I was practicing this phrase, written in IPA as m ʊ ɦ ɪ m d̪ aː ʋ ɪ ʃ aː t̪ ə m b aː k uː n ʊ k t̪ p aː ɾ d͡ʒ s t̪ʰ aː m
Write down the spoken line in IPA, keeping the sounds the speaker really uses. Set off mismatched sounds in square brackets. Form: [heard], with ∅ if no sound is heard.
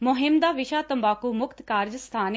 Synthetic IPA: m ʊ ɦ ɪ m d̪ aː ʋ ɪ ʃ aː t̪ ə m b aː k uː [m] ʊ k t̪ [k] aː ɾ d͡ʒ s t̪ʰ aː [n]